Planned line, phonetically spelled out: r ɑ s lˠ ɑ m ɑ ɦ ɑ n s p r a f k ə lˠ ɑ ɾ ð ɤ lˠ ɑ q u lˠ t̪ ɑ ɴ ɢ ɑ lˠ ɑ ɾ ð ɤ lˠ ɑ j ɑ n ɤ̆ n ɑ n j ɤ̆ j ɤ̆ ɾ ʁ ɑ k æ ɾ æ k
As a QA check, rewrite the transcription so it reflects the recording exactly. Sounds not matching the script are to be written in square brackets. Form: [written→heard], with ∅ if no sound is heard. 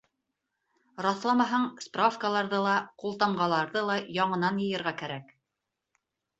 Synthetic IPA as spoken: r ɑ [s→θ] lˠ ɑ m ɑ ɦ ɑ [n→ɴ] s p r a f k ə lˠ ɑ ɾ ð ɤ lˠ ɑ q u lˠ t̪ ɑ ɴ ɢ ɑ lˠ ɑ ɾ ð ɤ lˠ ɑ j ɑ [n→ɴ] ɤ̆ n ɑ n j ɤ̆ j ɤ̆ ɾ ʁ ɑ k æ ɾ æ k